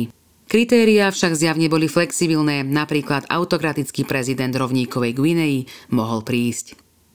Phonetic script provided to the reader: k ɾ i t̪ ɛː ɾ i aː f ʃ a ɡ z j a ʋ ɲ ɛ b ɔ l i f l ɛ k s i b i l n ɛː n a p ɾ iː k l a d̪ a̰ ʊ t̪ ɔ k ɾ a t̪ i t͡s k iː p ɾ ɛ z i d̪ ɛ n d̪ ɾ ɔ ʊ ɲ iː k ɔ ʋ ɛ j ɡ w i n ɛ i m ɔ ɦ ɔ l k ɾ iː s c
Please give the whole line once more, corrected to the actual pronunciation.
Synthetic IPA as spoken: k ɾ i t̪ ɛː ɾ i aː f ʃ a ɡ z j a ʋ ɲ ɛ b ɔ l i f l ɛ k s i b i l n ɛː n a p ɾ iː k l a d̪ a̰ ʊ t̪ ɔ k ɾ a t̪ i t͡s k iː p ɾ ɛ z i d̪ ɛ n d̪ ɾ ɔ ʊ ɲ iː k ɔ ʋ ɛ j ɡ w i n ɛ i m ɔ ɦ ɔ l p ɾ iː s c